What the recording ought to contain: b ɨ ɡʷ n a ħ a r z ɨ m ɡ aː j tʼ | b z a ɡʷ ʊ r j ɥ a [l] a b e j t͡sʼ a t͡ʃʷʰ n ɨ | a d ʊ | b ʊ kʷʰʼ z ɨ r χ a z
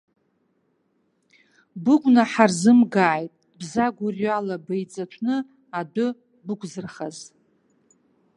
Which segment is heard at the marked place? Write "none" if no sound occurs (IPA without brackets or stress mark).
l